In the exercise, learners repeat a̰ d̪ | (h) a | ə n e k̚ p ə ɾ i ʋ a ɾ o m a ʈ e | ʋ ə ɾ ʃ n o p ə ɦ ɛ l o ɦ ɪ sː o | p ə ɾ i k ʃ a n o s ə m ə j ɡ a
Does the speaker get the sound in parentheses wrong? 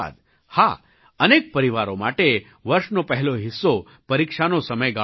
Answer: no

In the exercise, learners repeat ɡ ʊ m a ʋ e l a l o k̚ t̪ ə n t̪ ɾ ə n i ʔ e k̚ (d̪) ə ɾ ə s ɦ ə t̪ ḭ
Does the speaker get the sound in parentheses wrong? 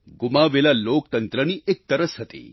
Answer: yes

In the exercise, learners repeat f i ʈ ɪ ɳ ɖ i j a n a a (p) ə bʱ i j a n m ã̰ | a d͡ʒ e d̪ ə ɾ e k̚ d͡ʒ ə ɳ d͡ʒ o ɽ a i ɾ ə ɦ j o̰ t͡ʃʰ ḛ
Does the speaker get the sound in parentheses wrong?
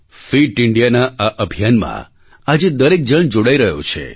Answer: yes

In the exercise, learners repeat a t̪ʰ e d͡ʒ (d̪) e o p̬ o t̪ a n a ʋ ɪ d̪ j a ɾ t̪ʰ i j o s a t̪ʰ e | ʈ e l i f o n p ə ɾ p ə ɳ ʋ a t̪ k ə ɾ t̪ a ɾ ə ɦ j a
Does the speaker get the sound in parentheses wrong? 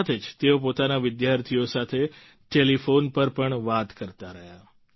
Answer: yes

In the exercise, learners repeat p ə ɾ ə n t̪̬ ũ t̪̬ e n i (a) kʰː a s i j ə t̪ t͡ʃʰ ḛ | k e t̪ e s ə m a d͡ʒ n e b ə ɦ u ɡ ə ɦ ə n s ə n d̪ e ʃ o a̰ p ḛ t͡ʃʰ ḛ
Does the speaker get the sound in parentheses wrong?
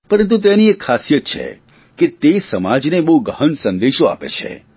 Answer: yes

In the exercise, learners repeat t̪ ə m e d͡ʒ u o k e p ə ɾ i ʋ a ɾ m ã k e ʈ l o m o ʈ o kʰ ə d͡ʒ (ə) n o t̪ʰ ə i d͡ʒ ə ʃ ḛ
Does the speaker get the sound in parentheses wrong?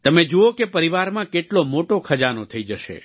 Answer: yes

